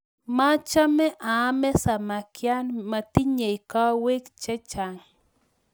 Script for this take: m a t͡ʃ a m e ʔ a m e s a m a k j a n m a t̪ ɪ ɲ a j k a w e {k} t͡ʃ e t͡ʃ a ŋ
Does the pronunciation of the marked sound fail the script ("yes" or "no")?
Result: no